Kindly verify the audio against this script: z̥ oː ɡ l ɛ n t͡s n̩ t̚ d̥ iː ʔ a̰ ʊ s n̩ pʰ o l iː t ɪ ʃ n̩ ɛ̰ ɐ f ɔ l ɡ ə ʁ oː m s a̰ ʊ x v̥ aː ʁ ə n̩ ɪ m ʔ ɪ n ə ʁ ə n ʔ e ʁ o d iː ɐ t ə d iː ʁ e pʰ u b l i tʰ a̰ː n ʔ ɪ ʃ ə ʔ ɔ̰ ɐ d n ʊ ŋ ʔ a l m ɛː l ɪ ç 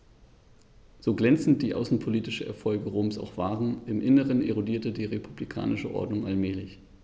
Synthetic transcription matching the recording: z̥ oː ɡ l ɛ n t͡s n̩ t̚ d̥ iː ʔ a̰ ʊ s n̩ pʰ o l iː t ɪ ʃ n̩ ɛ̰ ɐ f ɔ l ɡ ə ʁ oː m s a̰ ʊ x v̥ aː ʁ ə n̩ ɪ m ʔ ɪ n ə ʁ ə n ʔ e ʁ o d iː ɐ t ə d iː ʁ e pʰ u b l i kʰ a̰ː n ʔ ɪ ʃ ə ʔ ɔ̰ ɐ d n ʊ ŋ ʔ a l m ɛː l ɪ ç

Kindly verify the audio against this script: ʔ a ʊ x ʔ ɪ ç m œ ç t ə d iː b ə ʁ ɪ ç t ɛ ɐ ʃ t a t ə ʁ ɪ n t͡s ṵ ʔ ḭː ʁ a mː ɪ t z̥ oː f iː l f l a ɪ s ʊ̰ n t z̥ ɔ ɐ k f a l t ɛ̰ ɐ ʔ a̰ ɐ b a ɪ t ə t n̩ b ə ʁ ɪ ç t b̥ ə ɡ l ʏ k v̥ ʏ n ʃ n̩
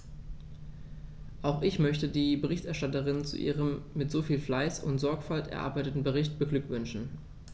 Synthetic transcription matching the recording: ʔ a ʊ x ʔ ɪ ç m œ ç t ə d iː b ə ʁ ɪ ç t ɛ ɐ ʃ t a t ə ʁ ɪ n t͡s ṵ ʔ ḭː ʁ ə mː ɪ t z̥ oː f iː l f l a ɪ s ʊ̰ n t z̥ ɔ ɐ k f a l t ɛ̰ ɐ ʔ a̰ ɐ b a ɪ t ə t n̩ b ə ʁ ɪ ç t b̥ ə ɡ l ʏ k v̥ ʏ n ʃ n̩

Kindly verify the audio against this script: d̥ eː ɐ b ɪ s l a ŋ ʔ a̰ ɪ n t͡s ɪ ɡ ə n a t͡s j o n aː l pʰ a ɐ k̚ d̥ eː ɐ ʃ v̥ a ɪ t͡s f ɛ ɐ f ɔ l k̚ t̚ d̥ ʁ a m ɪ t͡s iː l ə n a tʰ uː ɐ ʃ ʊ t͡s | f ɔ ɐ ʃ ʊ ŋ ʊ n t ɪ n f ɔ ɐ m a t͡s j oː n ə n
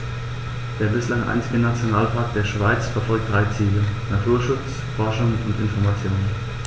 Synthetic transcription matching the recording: d̥ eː ɐ b ɪ s l a ŋ ʔ a̰ ɪ n t͡s ɪ ɡ ə n a t͡s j o n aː l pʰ a ɐ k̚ d̥ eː ɐ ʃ v̥ a ɪ t͡s f ɛ ɐ f ɔ l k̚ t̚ d̥ ʁ a ɪ t͡s iː l ə n a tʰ uː ɐ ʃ ʊ t͡s | f ɔ ɐ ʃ ʊ ŋ ʊ n t ɪ n f ɔ ɐ m a t͡s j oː n ə n

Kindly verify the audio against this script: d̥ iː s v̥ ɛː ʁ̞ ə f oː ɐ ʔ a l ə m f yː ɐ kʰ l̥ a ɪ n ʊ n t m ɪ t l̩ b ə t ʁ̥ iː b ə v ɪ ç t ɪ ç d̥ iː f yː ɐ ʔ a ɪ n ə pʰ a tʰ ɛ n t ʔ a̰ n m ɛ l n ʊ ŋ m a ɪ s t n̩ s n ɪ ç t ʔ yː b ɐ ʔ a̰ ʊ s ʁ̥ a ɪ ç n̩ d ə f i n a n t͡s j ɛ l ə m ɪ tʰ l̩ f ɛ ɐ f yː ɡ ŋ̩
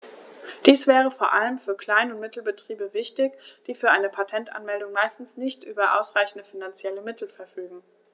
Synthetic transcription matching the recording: d̥ iː s v̥ ɛː ʁ̞ ə f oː ɐ ʔ a l ə m f yː ɐ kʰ l̥ a ɪ n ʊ n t m ɪ t l̩ b ə t ʁ̥ iː b ə v ɪ ç t ɪ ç d̥ iː f yː ɐ ʔ a ɪ n ə pʰ a tʰ ɛ n t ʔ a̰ n m ɛ l d ʊ ŋ m a ɪ s t n̩ s n ɪ ç t ʔ yː b ɐ ʔ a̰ ʊ s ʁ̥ a ɪ ç n̩ d ə f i n a n t͡s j ɛ l ə m ɪ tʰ l̩ f ɛ ɐ f yː ɡ ŋ̩

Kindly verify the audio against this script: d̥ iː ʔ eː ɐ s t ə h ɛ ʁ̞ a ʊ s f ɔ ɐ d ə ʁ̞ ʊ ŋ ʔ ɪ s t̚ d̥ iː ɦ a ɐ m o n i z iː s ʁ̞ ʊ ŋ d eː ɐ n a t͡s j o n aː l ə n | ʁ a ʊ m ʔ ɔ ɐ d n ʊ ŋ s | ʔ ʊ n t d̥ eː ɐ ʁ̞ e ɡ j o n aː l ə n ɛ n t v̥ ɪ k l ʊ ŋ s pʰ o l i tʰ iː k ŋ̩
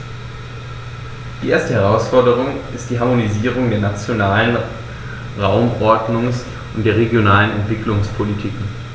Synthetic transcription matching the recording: d̥ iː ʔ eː ɐ s t ə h ɛ ʁ̞ a ʊ s f ɔ ɐ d ə ʁ̞ ʊ ŋ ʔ ɪ s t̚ d̥ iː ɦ a ɐ m o n i z iː ʁ̞ ʊ ŋ d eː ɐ n a t͡s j o n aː l ə n | ʁ a ʊ m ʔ ɔ ɐ d n ʊ ŋ s | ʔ ʊ n t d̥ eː ɐ ʁ̞ e ɡ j o n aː l ə n ɛ n t v̥ ɪ k l ʊ ŋ s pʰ o l i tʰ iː k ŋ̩

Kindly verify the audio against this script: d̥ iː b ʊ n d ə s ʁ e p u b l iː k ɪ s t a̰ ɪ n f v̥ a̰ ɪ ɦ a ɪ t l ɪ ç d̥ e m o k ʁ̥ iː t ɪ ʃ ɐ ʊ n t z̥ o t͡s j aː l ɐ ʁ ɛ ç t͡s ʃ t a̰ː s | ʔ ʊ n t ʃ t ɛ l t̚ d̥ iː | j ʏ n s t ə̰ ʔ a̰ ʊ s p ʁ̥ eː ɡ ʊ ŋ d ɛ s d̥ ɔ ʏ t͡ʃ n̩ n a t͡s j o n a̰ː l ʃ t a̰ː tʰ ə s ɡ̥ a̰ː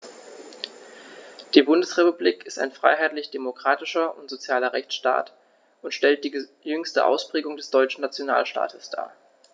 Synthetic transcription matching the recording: d̥ iː b ʊ n d ə s ʁ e p u b l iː k ɪ s t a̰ ɪ n f ʁ̥ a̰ ɪ ɦ a ɪ t l ɪ ç d̥ e m o k ʁ̥ aː t ɪ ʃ ɐ ʊ n t z̥ o t͡s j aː l ɐ ʁ ɛ ç t͡s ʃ t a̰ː t | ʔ ʊ n t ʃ t ɛ l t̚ d̥ iː | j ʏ ŋ s t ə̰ ʔ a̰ ʊ s p ʁ̥ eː ɡ ʊ ŋ d ɛ s d̥ ɔ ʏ t͡ʃ n̩ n a t͡s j o n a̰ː l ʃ t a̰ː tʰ ə s d̥ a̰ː

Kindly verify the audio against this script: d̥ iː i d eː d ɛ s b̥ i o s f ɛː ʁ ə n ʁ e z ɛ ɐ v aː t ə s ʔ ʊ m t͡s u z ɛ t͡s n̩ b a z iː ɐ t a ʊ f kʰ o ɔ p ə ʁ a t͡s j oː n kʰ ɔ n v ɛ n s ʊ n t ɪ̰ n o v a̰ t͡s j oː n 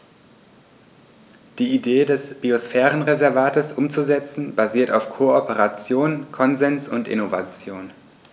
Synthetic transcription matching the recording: d̥ iː i d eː d ɛ s b̥ i o s f ɛː ʁ ə n ʁ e z ɛ ɐ v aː t ə s ʔ ʊ m t͡s u z ɛ t͡s n̩ b a z iː ɐ t a ʊ f kʰ o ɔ p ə ʁ a t͡s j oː n kʰ ɔ n z ɛ n s ʊ n t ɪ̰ n o v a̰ t͡s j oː n

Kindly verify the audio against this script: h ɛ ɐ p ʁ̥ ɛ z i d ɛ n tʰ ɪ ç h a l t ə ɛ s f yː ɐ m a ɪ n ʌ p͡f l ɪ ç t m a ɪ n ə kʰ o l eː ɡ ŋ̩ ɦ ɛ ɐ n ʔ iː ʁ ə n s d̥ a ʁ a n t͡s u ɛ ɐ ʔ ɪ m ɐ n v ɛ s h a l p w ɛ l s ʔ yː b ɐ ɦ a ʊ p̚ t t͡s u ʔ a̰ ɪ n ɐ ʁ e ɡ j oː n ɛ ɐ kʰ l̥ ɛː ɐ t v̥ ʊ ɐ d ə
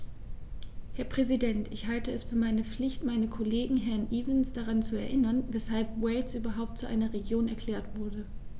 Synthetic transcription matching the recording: h ɛ ɐ p ʁ̥ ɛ z i d ɛ n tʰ ɪ ç h a l t ə ɛ s f yː ɐ m a ɪ n ə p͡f l ɪ ç t m a ɪ n ə kʰ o l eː ɡ ŋ̩ ɦ ɛ ɐ n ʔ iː v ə n s d̥ a ʁ a n t͡s u ɛ ɐ ʔ ɪ n ɐ n v ɛ s h a l p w ɛ l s ʔ yː b ɐ ɦ a ʊ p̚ t t͡s u ʔ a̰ ɪ n ɐ ʁ e ɡ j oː n ɛ ɐ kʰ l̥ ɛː ɐ t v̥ ʊ ɐ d ə

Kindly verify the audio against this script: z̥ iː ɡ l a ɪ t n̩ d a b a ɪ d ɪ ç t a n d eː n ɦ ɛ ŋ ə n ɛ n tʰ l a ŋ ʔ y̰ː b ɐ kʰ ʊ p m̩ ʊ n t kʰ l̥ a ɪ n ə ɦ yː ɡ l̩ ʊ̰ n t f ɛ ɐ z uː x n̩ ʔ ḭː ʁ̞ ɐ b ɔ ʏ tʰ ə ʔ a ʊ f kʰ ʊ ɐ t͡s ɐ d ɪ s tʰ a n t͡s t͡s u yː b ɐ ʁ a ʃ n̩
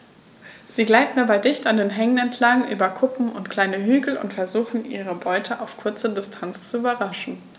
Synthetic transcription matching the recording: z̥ iː ɡ l a ɪ t n̩ d a b a ɪ d ɪ ç t a n d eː n ɦ ɛ ŋ ə n ɛ n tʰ l a ŋ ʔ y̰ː b ɐ kʰ ʊ p m̩ ʊ n t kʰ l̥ a ɪ n ə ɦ yː ɡ l̩ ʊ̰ n t f ɛ ɐ z uː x n̩ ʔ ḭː ʁ̞ ə b ɔ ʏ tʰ ə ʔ a ʊ f kʰ ʊ ɐ t͡s ə d ɪ s tʰ a n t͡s t͡s u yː b ɐ ʁ a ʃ n̩

